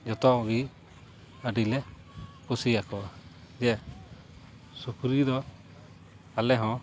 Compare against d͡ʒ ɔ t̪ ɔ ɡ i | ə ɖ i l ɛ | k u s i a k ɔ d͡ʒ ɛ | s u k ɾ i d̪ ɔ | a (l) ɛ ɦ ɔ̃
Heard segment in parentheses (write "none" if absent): l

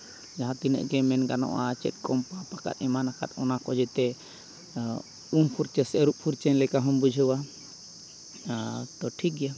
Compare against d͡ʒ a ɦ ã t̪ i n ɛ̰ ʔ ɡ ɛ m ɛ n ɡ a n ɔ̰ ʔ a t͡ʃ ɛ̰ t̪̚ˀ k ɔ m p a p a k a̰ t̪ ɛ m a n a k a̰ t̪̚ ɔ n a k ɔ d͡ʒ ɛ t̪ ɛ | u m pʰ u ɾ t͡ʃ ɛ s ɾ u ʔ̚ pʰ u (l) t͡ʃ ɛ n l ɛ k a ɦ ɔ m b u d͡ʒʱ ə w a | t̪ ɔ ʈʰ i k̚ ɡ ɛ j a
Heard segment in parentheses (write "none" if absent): ɾ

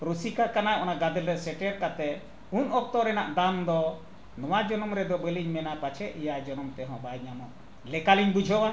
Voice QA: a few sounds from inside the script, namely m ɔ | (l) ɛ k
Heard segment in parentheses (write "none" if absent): l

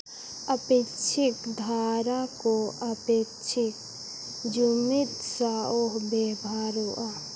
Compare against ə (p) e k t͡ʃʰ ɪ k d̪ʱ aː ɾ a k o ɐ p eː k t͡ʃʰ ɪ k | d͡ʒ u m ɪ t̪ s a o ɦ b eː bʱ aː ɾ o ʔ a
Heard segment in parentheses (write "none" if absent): p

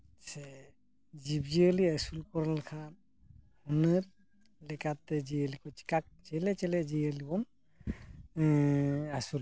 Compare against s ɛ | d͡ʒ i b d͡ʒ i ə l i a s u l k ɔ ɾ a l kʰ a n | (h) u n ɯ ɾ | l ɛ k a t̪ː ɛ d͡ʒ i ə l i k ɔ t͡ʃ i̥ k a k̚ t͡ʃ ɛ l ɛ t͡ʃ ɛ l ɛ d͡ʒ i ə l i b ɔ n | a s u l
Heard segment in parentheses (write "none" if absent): h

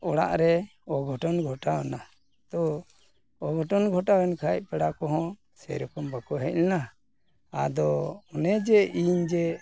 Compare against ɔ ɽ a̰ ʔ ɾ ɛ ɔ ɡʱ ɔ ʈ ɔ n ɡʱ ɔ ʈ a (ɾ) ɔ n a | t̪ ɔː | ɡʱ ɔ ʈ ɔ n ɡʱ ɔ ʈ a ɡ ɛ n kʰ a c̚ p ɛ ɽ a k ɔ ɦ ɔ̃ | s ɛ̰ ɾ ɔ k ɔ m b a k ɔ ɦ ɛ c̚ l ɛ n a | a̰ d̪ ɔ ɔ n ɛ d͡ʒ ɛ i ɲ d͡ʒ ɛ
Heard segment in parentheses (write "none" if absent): none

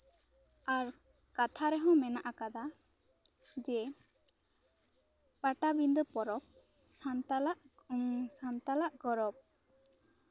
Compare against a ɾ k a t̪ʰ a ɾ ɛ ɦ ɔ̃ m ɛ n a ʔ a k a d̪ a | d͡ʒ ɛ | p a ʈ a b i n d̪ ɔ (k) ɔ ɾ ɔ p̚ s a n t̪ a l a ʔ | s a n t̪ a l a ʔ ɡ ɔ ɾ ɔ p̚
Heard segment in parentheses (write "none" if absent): p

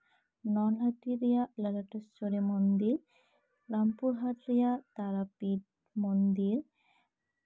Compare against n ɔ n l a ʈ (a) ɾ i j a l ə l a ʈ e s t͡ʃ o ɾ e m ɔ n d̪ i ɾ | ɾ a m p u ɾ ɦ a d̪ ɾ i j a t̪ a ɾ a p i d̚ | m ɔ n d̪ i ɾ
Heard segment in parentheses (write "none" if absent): i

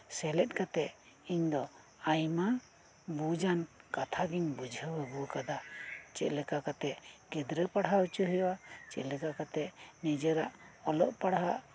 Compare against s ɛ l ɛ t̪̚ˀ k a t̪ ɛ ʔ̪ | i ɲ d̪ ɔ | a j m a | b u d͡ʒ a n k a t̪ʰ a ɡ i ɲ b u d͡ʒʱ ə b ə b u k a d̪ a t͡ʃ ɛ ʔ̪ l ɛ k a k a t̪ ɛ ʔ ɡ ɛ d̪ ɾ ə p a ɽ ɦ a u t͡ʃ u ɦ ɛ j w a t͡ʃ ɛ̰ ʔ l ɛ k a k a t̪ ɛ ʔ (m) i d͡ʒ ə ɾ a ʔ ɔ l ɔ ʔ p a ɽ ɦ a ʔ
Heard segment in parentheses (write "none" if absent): n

